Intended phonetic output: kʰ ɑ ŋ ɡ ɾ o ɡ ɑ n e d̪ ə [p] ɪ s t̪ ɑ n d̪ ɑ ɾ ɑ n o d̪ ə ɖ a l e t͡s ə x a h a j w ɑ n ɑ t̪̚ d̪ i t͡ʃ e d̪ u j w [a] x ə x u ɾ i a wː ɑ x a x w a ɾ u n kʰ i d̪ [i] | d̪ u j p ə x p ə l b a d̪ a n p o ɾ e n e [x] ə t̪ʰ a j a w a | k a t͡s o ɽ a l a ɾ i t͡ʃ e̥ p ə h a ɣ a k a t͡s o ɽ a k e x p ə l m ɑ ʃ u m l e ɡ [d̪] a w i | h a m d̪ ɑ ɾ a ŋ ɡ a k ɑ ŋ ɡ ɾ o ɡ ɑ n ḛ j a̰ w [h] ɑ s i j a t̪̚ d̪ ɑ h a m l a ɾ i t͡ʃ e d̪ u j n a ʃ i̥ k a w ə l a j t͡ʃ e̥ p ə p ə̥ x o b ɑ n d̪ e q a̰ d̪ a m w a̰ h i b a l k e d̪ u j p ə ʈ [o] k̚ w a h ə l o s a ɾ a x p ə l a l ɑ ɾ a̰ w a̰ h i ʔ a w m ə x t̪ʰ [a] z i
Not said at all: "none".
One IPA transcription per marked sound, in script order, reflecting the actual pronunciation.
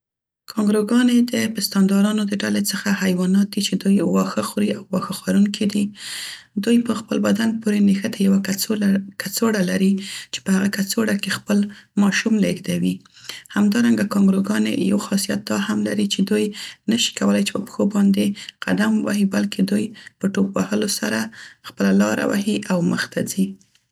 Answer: p, ɑ, i, x, d̪, x, o, a

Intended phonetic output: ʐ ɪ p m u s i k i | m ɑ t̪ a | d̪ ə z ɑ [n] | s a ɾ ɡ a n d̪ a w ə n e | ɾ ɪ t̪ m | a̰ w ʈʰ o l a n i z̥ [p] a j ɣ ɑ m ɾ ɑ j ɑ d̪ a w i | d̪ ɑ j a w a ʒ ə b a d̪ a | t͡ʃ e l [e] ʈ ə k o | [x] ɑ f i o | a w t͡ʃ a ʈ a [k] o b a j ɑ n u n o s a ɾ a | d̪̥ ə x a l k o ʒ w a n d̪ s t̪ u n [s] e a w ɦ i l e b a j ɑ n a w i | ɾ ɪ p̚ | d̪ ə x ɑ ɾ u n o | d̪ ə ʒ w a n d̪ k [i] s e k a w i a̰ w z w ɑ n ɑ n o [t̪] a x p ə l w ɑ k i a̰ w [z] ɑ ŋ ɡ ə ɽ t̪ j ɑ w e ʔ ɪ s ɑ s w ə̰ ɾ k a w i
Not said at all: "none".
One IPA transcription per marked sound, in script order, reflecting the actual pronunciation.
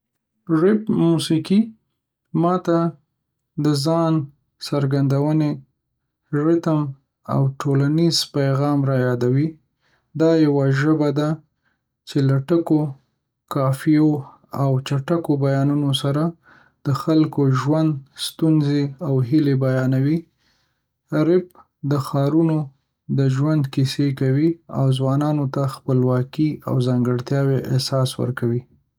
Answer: n, p, a, k, k, z, i, t̪, z

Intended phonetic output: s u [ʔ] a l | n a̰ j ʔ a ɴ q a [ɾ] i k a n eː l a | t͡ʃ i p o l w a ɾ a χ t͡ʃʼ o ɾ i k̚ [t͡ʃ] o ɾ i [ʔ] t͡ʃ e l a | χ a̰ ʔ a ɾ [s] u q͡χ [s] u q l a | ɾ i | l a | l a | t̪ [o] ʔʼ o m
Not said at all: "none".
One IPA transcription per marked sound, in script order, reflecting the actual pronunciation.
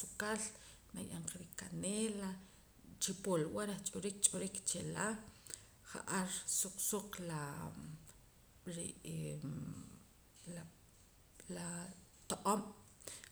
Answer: k, ɾ, t͡ʃʼ, k, s, s, o

